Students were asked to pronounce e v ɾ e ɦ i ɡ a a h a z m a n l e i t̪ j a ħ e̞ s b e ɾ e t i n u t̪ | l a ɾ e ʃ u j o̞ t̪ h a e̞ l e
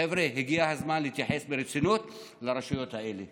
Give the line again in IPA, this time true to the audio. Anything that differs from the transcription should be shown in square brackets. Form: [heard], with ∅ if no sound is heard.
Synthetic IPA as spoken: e v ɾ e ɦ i ɡ [i] a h a z m a n l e i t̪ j a ħ e̞ s b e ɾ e [t͡s] i n u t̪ | l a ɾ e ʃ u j o̞ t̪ h a e̞ l e